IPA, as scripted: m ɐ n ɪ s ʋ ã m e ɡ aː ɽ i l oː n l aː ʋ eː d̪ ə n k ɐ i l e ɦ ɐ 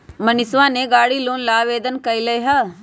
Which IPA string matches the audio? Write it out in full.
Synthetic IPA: m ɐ n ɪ s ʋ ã n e ɡ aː ɽ i l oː n l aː ʋ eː d̪ ə n k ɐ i l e ɦ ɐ